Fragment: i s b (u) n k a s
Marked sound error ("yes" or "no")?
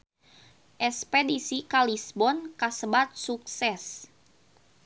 yes